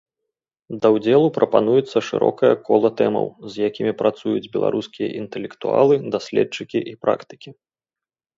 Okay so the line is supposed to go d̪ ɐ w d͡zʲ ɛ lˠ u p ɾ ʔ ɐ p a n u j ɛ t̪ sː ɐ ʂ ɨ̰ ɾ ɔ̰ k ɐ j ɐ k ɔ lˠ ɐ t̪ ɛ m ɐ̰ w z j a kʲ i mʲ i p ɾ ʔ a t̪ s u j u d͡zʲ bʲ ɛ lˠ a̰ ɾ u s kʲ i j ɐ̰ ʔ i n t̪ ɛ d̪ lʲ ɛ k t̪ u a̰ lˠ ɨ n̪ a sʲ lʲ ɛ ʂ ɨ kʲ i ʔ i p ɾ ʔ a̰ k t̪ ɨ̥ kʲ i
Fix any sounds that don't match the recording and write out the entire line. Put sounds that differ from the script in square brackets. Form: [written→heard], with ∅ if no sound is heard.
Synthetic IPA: d̪ ɐ w d͡zʲ ɛ lˠ u p ɾ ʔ ɐ p a n u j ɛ t̪ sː ɐ ʂ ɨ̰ ɾ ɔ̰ k ɐ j ɐ k ɔ lˠ ɐ t̪ ɛ m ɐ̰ w z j a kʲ i mʲ i p ɾ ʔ a t̪ s u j u d͡zʲ bʲ ɛ lˠ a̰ ɾ u s kʲ i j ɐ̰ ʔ i n t̪ ɛ [d̪→∅] lʲ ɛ k t̪ u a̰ lˠ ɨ [n̪→d̪] a sʲ lʲ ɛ [ʂ→t͡ʂ] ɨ kʲ i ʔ i p ɾ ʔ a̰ k t̪ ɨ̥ kʲ i